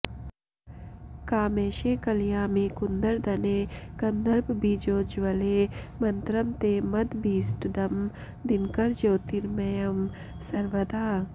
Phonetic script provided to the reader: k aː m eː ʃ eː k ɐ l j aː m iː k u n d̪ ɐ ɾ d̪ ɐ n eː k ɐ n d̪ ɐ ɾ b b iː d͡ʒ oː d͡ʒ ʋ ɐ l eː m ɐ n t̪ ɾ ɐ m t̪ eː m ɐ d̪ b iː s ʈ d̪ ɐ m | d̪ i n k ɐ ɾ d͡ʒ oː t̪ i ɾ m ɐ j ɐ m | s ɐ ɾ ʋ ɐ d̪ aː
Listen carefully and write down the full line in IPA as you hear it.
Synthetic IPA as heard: k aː m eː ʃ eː k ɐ l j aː m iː k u n d̪ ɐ ɾ d̪ ɐ n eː k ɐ n d̪ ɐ ɾ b b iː d͡ʒ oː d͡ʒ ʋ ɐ l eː m ɐ n t̪ ɾ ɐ m t̪ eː m ɐ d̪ b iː s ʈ d̪ ɐ m | d̪ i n k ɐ ɾ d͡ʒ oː t̪ i ɾ m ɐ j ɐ m | s ɐ ɾ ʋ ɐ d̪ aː